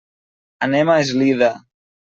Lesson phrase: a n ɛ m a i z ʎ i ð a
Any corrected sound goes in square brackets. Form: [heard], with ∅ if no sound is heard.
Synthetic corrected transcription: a n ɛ m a [e] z [l] i ð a